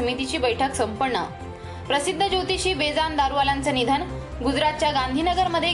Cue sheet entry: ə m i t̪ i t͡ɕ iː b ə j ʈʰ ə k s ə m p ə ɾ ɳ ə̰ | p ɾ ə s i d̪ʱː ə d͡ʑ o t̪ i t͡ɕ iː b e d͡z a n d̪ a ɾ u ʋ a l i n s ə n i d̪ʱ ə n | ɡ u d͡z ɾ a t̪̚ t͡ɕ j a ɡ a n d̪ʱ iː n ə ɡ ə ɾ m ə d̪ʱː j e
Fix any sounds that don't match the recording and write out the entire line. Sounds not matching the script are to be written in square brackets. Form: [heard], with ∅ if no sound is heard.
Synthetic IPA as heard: ə m i t̪ i t͡ɕ iː b ə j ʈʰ ə k s ə m p ə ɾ ɳ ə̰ | p ɾ ə s i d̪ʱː ə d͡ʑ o t̪ i t͡ɕ iː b e d͡z a n d̪ a ɾ u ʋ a l [a] n [t͡s] ə n i d̪ʱ ə n | ɡ u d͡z ɾ a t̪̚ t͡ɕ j a ɡ a n d̪ʱ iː n ə ɡ ə ɾ m ə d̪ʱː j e